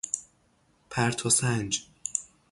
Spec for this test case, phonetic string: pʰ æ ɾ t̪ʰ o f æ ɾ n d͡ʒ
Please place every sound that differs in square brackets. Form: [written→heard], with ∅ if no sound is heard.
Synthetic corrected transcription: pʰ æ ɾ t̪ʰ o [f→s] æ [ɾ→∅] n d͡ʒ